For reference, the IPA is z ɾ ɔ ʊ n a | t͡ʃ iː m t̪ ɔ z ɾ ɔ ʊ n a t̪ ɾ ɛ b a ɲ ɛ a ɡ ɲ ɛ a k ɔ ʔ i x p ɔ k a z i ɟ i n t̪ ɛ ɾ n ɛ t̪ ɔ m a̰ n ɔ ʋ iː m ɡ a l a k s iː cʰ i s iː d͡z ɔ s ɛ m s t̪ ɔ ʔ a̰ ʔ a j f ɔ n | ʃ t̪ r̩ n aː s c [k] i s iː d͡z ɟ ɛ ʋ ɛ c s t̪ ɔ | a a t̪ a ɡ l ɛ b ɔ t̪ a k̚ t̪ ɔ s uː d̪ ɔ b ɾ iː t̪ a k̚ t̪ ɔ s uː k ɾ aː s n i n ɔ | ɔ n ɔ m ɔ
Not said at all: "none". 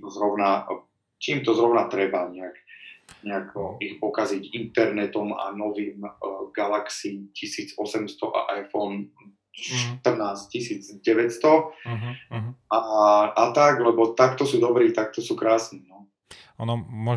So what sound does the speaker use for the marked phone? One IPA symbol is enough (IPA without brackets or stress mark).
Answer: c